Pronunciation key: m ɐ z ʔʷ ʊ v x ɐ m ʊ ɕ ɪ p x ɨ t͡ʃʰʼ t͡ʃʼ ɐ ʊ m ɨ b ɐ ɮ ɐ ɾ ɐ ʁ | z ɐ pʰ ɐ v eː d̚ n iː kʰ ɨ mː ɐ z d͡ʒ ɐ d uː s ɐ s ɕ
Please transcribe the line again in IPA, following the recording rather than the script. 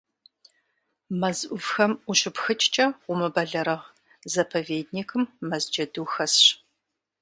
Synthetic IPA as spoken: m ɐ z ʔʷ ʊ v x ɐ m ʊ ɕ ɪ p x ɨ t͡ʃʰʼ t͡ʃʼ ɐ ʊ m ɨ b ɐ ɮ ɐ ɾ ɐ ʁ | z ɐ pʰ ɐ v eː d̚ n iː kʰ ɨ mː ɐ z d͡ʒ ɐ d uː x ɐ s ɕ